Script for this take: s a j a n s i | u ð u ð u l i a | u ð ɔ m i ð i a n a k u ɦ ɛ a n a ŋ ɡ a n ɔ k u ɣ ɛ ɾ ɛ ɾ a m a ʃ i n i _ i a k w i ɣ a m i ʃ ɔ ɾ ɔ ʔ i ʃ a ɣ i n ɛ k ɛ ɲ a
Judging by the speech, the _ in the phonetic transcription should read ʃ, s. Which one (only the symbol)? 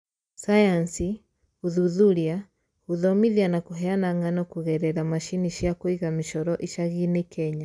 ʃ